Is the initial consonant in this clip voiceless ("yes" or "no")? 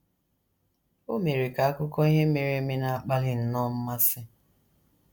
no